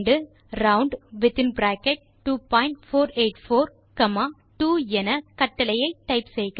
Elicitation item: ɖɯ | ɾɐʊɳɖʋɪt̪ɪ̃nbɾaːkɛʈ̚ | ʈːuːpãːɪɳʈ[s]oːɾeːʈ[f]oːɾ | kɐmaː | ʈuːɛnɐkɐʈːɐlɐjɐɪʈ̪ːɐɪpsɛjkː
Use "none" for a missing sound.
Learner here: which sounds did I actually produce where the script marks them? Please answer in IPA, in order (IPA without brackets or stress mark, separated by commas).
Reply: f, f